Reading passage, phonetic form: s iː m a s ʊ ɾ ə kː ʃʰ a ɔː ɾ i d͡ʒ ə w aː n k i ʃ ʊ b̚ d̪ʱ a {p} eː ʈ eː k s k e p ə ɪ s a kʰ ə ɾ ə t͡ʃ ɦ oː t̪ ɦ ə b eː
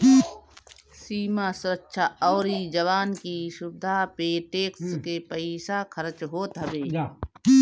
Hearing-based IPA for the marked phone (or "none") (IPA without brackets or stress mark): p